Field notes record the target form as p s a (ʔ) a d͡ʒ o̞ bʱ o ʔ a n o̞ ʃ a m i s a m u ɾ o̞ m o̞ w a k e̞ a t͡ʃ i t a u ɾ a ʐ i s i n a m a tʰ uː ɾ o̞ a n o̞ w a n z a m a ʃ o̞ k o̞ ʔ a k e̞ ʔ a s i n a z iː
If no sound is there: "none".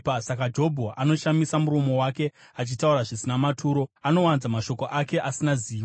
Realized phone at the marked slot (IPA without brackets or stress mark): k